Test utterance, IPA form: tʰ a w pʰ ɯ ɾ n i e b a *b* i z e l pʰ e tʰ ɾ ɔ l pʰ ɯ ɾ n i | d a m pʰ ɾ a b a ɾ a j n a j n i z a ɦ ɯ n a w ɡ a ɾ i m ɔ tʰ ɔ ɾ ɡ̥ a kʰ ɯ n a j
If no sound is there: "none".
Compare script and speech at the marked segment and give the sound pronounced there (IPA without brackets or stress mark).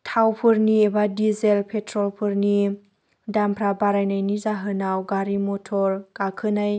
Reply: d